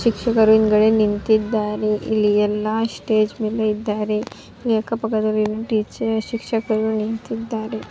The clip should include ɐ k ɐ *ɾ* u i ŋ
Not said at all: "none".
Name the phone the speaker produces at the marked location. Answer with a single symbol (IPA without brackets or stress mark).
ɾ